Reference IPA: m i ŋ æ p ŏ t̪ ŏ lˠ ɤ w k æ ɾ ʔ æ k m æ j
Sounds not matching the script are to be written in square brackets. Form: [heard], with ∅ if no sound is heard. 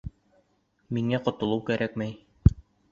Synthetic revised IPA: m i ŋ æ [q] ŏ t̪ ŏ lˠ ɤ w k æ ɾ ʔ æ k m æ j